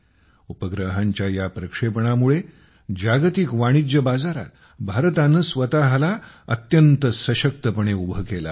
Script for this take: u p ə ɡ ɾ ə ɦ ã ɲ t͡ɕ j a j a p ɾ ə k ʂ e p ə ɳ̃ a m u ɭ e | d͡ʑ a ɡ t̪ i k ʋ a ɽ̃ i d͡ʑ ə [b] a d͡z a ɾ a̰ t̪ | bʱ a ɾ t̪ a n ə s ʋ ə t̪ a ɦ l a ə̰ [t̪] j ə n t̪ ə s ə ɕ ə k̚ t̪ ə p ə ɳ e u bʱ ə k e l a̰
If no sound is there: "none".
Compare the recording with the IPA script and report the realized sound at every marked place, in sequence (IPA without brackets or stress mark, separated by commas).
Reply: b, t̪